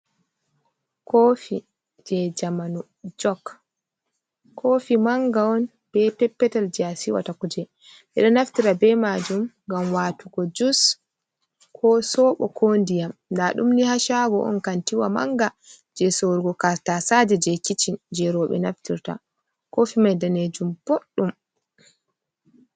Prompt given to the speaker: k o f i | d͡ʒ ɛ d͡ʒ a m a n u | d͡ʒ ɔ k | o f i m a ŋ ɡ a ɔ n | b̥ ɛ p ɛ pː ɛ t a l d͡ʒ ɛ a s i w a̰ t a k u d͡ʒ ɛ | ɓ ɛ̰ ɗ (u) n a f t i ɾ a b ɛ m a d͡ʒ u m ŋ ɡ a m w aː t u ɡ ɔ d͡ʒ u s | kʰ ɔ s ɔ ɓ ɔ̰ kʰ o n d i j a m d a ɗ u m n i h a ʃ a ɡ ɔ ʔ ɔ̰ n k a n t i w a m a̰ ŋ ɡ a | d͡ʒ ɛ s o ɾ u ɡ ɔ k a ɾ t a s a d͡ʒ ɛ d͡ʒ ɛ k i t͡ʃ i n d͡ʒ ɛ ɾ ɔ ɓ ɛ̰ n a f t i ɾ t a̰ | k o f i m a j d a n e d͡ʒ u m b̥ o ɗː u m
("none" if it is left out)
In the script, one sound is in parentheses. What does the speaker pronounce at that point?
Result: ɔ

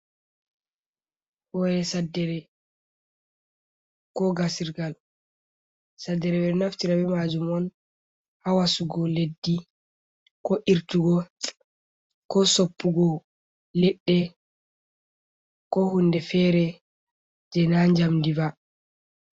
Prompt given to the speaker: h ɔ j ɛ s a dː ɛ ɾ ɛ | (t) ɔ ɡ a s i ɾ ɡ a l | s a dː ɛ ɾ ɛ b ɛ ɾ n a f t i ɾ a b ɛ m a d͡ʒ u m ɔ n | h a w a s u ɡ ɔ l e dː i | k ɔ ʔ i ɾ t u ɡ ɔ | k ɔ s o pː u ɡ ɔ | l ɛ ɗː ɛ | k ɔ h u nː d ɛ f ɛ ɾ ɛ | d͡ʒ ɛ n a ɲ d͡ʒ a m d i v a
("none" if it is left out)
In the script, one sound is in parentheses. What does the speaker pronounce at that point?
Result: k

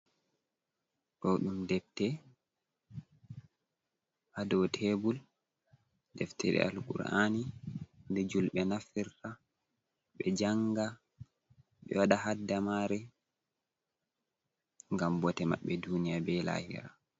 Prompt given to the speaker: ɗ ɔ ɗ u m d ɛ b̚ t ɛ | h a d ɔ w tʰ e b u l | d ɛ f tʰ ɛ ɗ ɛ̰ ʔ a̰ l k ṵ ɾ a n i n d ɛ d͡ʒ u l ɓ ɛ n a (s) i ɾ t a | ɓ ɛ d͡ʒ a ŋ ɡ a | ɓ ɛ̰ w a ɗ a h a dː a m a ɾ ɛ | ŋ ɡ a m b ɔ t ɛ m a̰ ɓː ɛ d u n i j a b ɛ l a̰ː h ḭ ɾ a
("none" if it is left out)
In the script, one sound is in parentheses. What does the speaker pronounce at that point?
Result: f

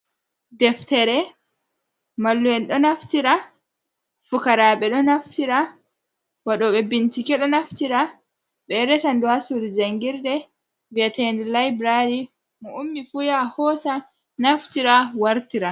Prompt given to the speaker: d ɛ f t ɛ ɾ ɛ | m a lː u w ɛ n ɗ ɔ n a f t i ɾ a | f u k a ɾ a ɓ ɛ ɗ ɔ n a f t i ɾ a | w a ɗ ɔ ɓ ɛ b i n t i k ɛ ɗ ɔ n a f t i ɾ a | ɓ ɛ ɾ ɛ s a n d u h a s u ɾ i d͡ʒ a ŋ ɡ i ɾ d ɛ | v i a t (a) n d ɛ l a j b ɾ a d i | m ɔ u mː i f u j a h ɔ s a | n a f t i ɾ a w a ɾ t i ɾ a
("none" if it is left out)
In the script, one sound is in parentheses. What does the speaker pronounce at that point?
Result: ɛ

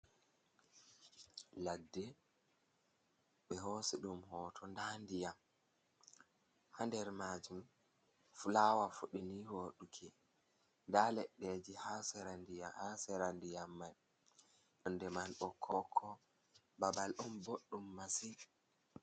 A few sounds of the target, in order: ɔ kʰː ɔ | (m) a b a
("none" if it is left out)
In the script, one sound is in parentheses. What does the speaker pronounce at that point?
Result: b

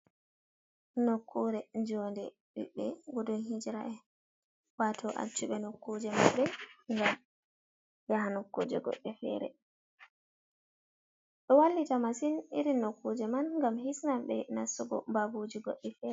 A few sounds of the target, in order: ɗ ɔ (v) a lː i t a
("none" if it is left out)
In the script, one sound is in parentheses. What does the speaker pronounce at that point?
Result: w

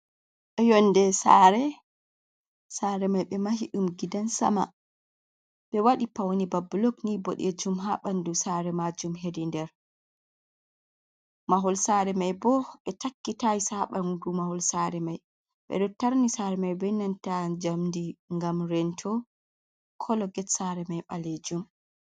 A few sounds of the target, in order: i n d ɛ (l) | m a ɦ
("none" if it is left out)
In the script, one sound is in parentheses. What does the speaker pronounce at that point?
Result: ɾ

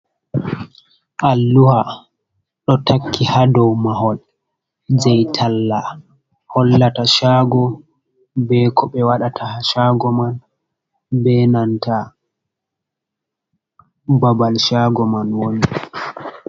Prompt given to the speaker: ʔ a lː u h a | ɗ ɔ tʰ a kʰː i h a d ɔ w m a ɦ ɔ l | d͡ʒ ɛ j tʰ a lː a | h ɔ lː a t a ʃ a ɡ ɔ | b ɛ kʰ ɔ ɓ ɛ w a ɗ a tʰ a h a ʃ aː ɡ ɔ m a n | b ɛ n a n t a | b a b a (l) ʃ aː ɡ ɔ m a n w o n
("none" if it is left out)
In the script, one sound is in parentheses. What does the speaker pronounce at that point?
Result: l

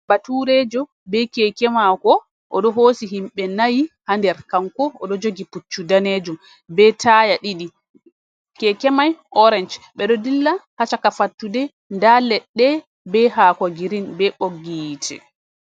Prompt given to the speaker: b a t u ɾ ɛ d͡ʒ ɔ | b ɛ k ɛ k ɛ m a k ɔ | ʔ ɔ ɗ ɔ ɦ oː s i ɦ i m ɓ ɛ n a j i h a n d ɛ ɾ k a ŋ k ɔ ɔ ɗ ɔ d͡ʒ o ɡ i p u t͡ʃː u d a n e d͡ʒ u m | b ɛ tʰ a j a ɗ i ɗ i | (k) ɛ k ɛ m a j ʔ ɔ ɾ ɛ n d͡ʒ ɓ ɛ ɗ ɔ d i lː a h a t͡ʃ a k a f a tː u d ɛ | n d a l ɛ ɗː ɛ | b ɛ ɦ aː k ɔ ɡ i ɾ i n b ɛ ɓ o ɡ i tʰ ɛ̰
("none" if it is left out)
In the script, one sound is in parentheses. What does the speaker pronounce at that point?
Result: k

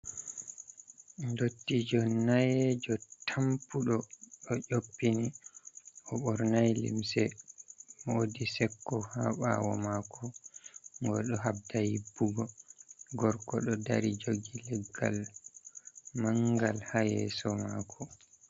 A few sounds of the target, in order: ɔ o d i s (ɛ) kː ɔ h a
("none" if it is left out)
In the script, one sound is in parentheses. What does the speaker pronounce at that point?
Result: ɛ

